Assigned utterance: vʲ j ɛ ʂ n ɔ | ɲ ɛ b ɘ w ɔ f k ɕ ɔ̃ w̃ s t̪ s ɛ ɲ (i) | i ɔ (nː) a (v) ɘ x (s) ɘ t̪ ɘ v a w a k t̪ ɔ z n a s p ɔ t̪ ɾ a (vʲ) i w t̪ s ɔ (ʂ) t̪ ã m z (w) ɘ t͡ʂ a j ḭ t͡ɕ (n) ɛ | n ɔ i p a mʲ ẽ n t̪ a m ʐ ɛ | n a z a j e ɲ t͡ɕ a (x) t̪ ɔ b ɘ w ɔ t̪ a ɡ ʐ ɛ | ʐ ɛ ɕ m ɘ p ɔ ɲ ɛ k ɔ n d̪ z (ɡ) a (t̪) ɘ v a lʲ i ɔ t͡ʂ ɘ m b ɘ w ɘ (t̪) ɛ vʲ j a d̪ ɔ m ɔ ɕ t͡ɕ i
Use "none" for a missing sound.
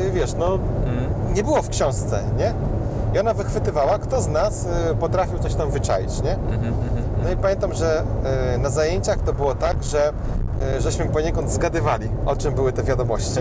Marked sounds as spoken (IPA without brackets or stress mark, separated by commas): ɛ, n, v, f, fʲ, ɕ, v, ɲ, x, ɡ, d̪, t̪